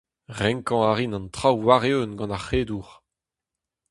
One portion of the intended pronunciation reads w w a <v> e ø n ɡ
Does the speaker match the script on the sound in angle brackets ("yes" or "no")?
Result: no